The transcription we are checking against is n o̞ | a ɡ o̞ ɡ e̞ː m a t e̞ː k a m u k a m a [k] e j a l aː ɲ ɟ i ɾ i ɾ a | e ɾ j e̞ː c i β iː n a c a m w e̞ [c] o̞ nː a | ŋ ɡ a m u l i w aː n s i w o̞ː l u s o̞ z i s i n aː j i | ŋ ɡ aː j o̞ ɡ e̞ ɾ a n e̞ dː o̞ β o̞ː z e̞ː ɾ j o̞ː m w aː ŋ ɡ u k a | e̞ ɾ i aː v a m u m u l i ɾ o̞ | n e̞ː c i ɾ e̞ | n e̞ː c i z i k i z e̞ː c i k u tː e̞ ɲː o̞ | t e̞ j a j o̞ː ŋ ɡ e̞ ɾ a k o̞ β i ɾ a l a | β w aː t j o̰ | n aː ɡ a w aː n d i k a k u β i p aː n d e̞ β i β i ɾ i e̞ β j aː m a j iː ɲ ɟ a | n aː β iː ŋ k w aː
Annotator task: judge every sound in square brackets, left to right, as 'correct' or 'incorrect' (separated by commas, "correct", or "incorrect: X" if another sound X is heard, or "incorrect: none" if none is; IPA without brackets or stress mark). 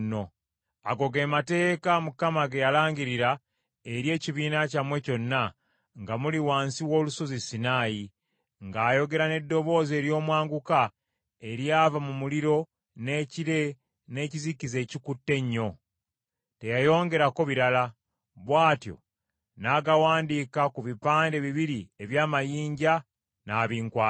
incorrect: ɡ, correct